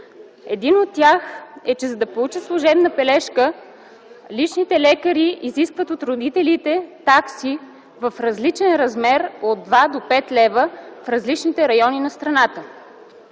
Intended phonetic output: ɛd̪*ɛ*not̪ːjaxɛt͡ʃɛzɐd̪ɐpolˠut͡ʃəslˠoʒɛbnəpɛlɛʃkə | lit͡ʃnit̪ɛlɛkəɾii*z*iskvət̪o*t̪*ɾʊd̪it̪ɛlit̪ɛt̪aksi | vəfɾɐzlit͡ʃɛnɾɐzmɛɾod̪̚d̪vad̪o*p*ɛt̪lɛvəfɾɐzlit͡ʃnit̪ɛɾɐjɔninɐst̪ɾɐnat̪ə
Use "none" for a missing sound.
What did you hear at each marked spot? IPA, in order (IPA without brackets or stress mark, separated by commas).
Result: i, z, t̪, p